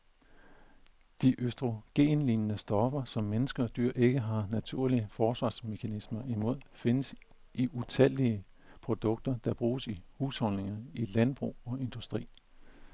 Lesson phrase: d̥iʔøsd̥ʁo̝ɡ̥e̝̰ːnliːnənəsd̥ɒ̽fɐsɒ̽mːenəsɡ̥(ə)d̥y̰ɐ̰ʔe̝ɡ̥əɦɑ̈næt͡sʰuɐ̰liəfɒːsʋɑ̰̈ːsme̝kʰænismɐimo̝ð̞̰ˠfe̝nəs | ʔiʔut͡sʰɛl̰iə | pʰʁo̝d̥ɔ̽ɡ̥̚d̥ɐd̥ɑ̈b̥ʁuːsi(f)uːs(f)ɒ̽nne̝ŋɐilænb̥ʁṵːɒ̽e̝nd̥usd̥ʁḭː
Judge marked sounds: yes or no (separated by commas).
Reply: no, no, no